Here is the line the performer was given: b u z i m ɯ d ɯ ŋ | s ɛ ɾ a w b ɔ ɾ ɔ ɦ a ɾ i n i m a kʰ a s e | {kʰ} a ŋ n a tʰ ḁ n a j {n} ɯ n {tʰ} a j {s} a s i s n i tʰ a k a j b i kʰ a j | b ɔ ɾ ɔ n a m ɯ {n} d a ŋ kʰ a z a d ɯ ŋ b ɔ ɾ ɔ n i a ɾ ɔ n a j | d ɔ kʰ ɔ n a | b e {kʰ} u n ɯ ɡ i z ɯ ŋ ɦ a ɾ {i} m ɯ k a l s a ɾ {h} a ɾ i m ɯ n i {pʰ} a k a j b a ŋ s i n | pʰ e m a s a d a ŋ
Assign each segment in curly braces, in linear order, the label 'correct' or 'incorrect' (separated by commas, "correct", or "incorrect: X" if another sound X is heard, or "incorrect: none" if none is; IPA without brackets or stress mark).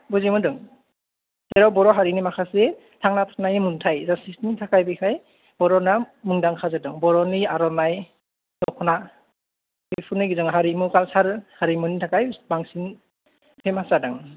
incorrect: tʰ, incorrect: m, correct, incorrect: z, incorrect: ŋ, incorrect: pʰ, correct, correct, incorrect: tʰ